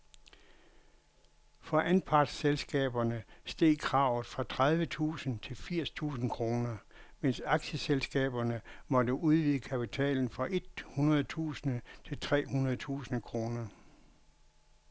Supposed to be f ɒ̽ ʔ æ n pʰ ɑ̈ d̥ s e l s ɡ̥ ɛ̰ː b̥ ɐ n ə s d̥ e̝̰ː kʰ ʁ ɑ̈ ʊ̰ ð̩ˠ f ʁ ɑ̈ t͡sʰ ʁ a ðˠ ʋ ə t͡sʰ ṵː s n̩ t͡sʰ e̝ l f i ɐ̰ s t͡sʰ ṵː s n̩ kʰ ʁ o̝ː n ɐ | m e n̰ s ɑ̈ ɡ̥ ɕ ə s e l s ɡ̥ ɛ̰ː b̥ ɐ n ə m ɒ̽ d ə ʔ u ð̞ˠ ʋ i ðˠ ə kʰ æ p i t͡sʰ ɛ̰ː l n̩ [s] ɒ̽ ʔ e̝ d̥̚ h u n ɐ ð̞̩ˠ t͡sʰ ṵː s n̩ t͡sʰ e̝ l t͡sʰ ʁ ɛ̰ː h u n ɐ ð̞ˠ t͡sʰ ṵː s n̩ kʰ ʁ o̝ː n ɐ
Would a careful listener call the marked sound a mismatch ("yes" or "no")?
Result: yes